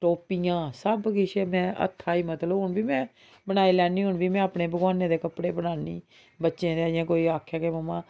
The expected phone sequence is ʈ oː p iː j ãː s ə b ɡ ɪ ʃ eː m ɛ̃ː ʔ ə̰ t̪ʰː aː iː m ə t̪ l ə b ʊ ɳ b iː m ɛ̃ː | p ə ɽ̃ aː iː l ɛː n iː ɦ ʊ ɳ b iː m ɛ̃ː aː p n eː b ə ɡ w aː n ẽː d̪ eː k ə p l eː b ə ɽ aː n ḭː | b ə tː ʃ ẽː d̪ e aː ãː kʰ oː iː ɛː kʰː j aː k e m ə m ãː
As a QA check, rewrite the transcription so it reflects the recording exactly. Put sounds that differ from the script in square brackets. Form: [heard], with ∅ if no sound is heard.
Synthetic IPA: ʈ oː p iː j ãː s ə b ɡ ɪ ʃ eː m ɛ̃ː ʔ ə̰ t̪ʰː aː iː m ə t̪ l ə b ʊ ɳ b iː m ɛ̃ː | [b] ə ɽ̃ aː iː l ɛː n iː ɦ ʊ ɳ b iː m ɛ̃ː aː p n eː b ə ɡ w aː n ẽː d̪ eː k ə p [ɽ] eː b ə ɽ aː n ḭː | b ə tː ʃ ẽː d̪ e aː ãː [k] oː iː [aː] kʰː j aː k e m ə m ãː